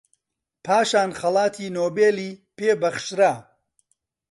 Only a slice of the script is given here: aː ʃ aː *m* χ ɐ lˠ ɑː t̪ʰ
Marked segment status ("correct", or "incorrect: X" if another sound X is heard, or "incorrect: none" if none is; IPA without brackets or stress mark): incorrect: n